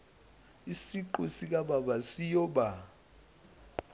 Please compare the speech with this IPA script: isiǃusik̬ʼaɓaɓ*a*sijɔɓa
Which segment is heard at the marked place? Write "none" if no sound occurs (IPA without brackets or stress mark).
a